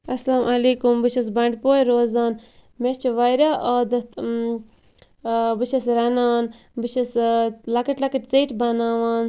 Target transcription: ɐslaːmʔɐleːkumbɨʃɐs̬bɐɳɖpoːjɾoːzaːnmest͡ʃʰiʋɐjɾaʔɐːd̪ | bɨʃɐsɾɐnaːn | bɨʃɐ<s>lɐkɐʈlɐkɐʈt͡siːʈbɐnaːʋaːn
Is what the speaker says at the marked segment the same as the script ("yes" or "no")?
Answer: yes